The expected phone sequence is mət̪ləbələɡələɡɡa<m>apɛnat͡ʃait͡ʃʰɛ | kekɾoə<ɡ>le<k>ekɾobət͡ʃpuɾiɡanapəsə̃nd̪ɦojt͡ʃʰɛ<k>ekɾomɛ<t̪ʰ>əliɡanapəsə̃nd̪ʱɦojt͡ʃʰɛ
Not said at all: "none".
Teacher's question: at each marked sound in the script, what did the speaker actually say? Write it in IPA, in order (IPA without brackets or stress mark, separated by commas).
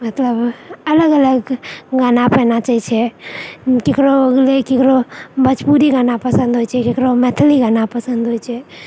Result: n, ɡ, k, k, t̪ʰ